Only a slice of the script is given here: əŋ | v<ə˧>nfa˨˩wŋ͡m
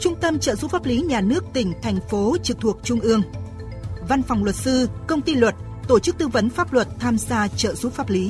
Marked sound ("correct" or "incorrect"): incorrect